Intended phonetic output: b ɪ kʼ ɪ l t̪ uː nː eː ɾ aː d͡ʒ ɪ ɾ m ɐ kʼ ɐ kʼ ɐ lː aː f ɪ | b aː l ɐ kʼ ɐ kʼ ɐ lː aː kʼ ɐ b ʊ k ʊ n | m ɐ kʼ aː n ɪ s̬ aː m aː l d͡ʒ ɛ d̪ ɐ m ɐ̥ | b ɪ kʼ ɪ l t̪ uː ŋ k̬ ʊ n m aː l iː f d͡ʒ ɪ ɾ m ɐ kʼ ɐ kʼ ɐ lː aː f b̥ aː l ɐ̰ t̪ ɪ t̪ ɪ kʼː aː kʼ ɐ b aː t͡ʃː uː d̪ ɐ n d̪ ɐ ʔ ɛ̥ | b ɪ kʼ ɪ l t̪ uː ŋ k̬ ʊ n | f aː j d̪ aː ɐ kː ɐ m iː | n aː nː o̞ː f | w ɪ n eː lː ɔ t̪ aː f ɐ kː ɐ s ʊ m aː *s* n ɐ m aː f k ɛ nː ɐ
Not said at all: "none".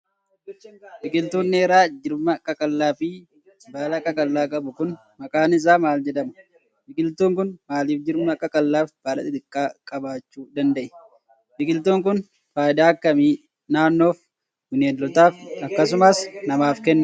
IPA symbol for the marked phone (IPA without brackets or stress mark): s